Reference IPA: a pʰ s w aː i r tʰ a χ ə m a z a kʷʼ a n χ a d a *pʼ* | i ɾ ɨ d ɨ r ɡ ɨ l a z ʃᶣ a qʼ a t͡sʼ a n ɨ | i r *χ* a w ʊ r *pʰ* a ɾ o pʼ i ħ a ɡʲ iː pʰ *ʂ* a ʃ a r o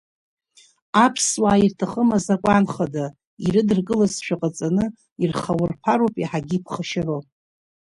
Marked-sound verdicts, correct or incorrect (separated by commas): incorrect, correct, correct, incorrect